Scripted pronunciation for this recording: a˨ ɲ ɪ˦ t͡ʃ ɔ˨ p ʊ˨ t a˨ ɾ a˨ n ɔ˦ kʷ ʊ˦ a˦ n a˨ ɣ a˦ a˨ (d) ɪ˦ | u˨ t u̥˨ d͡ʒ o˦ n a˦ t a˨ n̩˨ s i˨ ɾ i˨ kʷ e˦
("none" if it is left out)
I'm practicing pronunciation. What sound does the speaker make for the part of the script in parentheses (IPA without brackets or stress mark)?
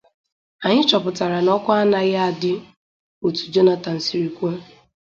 d